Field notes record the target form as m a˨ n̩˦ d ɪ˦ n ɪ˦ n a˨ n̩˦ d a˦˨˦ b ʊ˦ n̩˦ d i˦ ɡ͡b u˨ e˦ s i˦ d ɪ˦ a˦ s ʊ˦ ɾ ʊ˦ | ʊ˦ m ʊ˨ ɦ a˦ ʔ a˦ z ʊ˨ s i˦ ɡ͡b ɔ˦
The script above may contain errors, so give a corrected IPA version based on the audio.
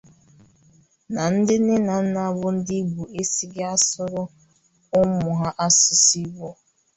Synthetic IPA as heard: n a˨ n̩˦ d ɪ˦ n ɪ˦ n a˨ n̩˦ n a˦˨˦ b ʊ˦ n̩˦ d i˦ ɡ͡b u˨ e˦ s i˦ ɡ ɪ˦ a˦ s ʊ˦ ɾ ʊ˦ | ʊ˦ m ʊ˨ ɦ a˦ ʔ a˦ s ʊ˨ s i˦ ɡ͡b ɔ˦

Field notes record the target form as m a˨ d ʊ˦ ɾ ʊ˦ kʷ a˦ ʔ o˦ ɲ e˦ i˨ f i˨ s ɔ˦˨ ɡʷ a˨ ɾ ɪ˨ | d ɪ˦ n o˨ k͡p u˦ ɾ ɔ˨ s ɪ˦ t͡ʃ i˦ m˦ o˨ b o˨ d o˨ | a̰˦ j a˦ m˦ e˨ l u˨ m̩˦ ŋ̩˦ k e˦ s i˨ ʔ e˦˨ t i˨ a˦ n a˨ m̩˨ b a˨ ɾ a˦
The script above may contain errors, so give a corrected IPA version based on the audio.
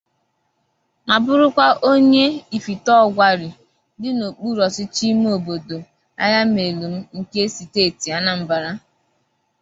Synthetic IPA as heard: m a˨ b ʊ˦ ɾ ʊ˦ kʷ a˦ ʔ o˦ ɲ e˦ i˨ f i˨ t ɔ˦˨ ɡʷ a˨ ɾ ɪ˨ | d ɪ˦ n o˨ k͡p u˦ ɾ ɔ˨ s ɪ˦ t͡ʃ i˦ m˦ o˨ b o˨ d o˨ | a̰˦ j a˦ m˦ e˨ l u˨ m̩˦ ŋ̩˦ k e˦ s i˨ t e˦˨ t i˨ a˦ n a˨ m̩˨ b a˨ ɾ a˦

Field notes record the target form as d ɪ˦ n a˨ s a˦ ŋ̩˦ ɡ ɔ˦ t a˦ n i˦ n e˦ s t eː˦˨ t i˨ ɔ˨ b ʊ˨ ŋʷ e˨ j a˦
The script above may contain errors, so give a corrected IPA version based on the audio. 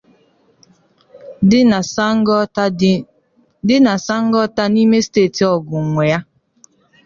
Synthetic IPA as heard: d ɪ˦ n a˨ s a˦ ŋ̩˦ ɡ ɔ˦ t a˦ n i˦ m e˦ s t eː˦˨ t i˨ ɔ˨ ɡ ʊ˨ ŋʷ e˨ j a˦

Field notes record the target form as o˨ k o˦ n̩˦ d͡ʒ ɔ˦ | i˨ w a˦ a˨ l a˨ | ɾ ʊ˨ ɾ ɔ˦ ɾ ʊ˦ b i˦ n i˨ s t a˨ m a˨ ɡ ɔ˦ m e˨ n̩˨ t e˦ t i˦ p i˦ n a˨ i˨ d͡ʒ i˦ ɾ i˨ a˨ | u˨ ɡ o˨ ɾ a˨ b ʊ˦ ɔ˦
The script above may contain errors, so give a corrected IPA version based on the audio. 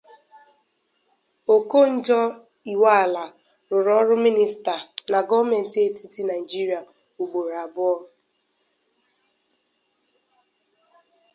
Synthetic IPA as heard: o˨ k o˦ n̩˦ d͡ʒ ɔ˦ | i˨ w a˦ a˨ l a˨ | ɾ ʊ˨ ɾ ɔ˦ ɾ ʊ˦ m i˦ n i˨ s t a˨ n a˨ ɡ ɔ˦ m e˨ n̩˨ t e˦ t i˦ t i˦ n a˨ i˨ d͡ʒ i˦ ɾ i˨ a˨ | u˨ ɡ͡b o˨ ɾ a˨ b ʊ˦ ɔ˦

